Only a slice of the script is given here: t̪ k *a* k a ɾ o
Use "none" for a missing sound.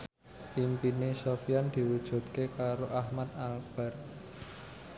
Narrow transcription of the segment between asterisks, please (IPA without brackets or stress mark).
e